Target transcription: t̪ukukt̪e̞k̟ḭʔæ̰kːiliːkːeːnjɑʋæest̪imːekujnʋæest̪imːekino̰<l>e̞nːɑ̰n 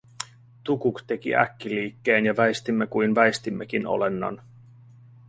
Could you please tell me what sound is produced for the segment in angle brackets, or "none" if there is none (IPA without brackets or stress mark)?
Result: l